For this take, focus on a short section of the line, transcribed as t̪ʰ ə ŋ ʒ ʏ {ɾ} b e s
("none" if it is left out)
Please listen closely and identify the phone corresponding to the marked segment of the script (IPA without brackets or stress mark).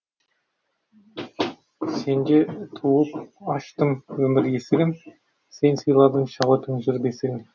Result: ɾ